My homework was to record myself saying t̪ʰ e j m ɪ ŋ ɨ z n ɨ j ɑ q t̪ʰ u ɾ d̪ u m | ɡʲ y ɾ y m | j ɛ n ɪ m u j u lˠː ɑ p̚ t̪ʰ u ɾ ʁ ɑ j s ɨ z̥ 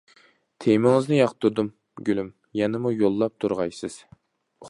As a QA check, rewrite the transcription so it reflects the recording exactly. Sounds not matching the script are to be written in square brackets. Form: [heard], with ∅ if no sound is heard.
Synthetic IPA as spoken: t̪ʰ e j m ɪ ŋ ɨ z n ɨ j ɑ q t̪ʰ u ɾ d̪ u m | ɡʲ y [l] y m | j ɛ n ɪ m u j [o] lˠː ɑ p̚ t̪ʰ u ɾ ʁ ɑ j s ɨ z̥